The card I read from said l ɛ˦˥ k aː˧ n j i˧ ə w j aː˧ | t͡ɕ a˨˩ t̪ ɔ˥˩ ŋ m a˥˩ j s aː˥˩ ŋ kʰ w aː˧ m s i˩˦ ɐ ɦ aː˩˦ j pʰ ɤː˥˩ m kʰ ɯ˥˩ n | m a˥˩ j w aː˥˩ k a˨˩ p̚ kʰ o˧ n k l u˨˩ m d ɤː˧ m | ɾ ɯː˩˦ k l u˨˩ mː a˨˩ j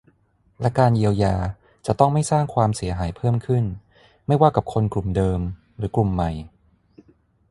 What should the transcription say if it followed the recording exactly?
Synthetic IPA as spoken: l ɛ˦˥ k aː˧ n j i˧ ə w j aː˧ | t͡ɕ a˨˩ t̪ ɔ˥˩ ŋ m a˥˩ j s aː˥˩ ŋ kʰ w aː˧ m s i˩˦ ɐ ɦ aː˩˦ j pʰ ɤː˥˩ m kʰ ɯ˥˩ n | m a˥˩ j w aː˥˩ k a˨˩ p̚ kʰ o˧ n k l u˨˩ m d ɤː˧ m | ɾ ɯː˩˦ k l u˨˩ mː a˨˩ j